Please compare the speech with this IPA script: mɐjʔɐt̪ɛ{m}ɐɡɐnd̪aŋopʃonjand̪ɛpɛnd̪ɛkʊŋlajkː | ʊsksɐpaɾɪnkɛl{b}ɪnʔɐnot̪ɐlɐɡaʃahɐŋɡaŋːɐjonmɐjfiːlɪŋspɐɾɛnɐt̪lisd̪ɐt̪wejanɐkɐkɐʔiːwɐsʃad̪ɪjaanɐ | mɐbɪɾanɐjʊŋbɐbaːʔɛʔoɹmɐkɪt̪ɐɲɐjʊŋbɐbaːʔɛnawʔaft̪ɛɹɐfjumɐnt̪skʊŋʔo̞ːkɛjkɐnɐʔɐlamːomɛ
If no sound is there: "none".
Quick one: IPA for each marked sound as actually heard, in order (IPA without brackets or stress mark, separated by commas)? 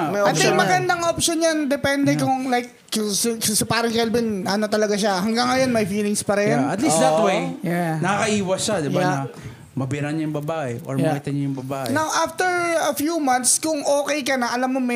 m, b